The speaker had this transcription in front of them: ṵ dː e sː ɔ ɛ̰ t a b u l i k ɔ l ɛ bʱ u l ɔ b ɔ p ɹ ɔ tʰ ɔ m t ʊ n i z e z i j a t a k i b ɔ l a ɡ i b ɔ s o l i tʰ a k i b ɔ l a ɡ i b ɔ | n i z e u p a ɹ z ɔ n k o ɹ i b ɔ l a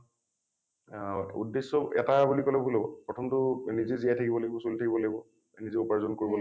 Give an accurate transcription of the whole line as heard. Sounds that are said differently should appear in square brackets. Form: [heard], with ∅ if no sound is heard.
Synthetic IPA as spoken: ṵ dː e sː ɔ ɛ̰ t a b u l i k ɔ l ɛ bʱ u l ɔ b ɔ p ɹ ɔ tʰ ɔ m t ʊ n i z e z i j a [tʰ] a k i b ɔ l a ɡ i b ɔ s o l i tʰ a k i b ɔ l a ɡ i b ɔ | n i z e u p a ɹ z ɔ n k o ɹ i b ɔ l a